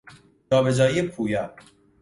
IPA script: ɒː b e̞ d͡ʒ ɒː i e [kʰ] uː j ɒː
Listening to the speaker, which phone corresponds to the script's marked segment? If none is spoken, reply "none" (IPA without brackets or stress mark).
pʰ